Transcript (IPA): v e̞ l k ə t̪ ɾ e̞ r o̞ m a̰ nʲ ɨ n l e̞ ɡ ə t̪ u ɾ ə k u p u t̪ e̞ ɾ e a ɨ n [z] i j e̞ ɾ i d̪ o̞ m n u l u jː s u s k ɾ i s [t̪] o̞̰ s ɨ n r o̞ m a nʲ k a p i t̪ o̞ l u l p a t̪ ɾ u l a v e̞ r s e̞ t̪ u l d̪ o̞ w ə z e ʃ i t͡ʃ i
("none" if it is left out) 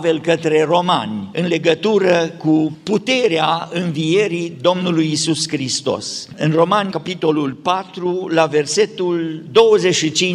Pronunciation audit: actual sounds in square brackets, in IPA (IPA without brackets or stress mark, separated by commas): v, t̪